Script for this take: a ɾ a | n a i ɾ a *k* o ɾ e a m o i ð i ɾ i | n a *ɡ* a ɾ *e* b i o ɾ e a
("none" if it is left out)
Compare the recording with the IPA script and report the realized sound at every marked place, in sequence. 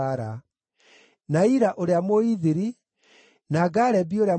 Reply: ʔ, ɡ, ɛ

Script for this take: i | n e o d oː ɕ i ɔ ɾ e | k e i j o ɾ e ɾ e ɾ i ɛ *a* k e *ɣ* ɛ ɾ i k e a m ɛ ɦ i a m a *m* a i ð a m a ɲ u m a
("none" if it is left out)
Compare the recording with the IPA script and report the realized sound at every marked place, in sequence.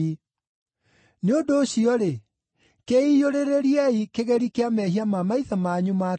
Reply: i, ɣ, m

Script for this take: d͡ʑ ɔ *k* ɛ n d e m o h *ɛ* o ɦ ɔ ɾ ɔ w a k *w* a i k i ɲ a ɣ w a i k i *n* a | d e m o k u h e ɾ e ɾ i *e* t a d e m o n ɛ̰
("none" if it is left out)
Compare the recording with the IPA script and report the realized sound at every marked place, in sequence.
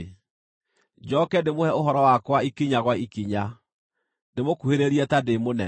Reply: k, ɛ, w, ɲ, ɛ

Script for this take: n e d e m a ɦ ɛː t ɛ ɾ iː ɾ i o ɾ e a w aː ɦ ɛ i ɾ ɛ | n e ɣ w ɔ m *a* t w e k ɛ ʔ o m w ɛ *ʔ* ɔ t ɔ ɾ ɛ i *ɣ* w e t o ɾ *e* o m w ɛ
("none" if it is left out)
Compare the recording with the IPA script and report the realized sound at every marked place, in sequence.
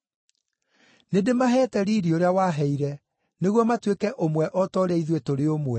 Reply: a, ʔ, ð, e

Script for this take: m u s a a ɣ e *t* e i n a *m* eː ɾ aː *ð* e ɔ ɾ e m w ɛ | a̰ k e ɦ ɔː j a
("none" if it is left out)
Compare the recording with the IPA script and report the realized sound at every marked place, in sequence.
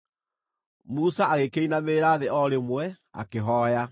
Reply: k, m, ð

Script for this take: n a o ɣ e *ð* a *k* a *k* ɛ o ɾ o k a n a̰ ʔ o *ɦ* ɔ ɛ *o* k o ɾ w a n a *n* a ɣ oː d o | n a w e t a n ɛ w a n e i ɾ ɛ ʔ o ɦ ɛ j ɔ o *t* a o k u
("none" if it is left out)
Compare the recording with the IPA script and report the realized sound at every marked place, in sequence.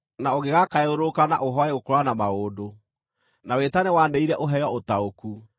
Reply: ɣ, k, none, ɦ, o, m, t

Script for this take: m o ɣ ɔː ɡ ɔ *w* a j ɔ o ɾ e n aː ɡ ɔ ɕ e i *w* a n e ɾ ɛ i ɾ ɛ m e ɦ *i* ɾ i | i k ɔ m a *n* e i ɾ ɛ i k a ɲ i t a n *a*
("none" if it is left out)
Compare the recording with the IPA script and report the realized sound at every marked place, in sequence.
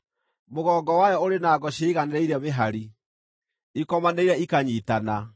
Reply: w, ɣ, a, n, a

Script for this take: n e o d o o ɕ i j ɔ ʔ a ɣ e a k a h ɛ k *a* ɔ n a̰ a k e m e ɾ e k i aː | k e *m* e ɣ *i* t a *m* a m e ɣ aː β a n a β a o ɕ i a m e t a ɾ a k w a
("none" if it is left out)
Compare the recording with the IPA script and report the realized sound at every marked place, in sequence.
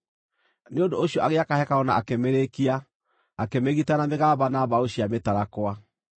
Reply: a, m, i, n

